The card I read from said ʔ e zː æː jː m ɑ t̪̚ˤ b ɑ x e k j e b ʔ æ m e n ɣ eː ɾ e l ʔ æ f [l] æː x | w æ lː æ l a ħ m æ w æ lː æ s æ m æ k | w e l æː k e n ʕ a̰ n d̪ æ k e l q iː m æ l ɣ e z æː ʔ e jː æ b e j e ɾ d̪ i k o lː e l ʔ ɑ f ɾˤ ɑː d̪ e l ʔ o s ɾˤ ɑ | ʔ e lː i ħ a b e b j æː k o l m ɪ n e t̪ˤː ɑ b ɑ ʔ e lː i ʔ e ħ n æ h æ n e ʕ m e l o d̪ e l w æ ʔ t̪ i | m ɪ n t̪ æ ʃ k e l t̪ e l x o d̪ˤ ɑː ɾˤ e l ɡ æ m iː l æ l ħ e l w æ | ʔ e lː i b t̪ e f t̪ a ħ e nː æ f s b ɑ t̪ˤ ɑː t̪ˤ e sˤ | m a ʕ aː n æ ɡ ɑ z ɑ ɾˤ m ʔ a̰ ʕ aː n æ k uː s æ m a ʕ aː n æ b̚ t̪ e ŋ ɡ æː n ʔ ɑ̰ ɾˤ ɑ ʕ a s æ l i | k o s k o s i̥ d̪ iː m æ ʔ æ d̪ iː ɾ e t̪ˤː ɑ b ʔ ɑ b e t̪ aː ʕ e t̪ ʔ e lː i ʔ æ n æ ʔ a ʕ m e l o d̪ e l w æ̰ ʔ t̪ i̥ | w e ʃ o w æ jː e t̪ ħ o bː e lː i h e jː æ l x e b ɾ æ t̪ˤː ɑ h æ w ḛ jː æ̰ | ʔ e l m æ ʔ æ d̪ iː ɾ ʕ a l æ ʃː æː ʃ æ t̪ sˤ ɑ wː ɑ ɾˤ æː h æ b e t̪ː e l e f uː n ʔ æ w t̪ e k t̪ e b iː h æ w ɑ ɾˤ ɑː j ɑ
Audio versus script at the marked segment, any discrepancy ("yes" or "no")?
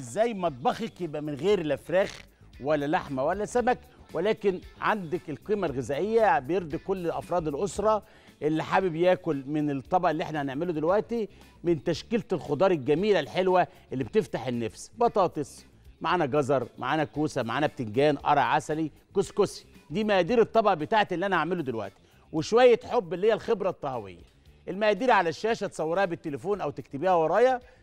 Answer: yes